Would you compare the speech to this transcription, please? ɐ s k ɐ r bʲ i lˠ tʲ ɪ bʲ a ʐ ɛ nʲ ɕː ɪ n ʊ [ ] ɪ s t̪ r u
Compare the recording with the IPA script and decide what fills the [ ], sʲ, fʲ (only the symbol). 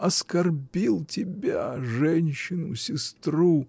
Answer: sʲ